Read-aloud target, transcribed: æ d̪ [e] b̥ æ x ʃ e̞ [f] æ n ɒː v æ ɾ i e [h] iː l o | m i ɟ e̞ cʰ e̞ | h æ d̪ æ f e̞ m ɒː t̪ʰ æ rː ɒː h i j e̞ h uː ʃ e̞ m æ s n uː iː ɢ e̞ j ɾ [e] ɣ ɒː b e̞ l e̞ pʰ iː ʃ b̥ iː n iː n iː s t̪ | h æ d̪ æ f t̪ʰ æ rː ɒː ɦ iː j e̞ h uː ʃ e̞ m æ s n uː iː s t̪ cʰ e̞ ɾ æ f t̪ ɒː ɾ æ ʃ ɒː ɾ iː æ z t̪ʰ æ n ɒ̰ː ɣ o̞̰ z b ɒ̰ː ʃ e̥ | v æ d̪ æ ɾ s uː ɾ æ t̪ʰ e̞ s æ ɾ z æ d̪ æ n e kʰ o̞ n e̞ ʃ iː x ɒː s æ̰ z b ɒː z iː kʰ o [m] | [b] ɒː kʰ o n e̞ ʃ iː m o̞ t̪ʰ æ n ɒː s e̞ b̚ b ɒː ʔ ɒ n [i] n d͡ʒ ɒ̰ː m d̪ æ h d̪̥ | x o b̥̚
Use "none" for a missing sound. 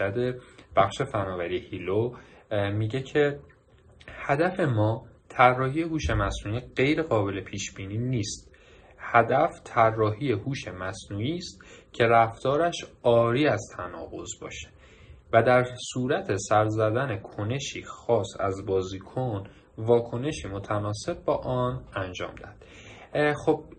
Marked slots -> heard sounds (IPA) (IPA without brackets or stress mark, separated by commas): e, f, h, e, n, v, æ